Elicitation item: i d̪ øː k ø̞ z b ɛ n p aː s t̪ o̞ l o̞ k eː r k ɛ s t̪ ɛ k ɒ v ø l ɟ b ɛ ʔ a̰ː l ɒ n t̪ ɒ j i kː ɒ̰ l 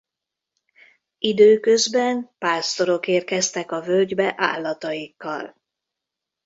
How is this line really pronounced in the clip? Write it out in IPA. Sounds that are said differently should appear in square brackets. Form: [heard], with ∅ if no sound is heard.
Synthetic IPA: i d̪ øː k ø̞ z b ɛ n p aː s t̪ o̞ [ɾ] o̞ k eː r k ɛ s t̪ ɛ k ɒ v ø l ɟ b ɛ ʔ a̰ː [lː] ɒ [∅] t̪ ɒ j i kː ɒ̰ l